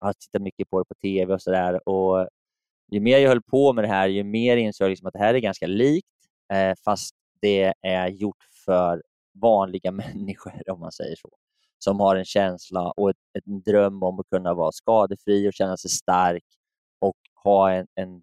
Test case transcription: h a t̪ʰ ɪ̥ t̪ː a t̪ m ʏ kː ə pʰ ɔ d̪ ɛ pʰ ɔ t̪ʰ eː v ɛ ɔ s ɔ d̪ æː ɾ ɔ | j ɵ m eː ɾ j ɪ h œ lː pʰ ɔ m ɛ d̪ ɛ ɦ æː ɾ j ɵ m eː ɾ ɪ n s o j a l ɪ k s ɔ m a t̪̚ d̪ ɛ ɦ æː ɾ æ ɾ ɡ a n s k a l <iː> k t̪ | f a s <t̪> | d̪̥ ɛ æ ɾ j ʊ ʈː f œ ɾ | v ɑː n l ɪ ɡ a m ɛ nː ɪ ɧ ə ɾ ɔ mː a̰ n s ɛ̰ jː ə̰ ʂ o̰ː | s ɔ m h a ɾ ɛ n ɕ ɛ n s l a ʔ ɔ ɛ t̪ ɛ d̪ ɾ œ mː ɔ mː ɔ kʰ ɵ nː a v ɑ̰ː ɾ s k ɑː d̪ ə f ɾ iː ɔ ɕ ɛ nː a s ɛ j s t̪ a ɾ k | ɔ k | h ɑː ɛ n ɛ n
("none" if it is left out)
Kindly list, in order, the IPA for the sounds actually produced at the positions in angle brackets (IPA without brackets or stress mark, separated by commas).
iː, t̪